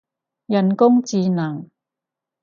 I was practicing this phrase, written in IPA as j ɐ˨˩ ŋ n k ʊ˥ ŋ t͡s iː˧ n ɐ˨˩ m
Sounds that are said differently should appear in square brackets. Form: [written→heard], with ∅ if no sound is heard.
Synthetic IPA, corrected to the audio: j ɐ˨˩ [ŋ→∅] n k ʊ˥ ŋ t͡s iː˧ n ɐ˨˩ [m→ŋ]